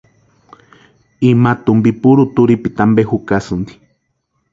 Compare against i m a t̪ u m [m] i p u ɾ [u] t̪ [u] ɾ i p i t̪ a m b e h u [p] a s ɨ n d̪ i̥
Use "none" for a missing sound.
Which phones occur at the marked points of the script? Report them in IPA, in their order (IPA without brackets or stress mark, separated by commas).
b, u, u, k